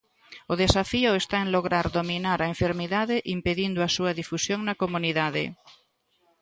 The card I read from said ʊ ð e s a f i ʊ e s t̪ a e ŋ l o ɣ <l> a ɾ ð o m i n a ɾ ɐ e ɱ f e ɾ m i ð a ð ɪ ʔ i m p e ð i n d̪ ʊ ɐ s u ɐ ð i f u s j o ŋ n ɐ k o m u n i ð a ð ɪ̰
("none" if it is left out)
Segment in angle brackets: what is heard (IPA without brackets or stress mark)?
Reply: ɾ